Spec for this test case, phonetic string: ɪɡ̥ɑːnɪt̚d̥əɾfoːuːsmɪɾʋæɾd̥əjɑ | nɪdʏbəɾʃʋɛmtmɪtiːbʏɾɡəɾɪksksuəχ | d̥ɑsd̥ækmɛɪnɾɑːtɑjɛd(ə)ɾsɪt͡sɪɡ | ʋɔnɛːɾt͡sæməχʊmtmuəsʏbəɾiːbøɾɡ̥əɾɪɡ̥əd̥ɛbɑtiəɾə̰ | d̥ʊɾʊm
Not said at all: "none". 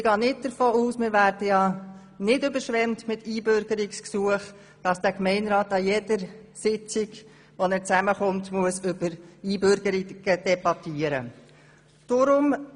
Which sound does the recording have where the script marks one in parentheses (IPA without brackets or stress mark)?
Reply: ə